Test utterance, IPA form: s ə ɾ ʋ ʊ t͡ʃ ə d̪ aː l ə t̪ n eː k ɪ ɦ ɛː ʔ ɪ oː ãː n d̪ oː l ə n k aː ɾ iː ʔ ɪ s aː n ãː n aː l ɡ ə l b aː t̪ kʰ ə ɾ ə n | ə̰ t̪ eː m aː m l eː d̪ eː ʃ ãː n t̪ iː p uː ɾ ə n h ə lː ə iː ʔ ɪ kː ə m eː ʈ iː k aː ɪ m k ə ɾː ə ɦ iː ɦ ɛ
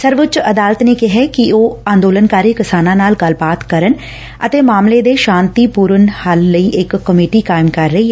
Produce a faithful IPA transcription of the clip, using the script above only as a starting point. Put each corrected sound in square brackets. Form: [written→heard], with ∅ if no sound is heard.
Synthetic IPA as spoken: s ə ɾ ʋ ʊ t͡ʃ ə d̪ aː l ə t̪ n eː k ɪ ɦ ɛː [ʔ→k] ɪ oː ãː n d̪ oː l ə n k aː ɾ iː [ʔ→k] ɪ s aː n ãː n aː l ɡ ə l b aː t̪ [kʰ→k] ə ɾ ə n | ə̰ t̪ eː m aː m l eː d̪ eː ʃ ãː n t̪ iː p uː ɾ ə n h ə lː ə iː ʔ ɪ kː ə m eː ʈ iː k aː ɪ m k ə ɾː ə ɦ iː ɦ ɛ